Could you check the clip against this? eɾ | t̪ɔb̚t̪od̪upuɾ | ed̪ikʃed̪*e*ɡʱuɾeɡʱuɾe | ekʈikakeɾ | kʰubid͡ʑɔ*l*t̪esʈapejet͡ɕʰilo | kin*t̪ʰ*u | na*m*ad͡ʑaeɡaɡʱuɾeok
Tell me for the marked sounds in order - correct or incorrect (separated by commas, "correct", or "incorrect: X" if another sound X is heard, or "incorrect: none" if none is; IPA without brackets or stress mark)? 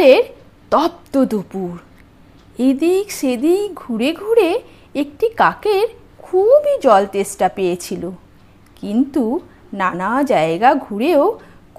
incorrect: i, correct, incorrect: t̪, incorrect: n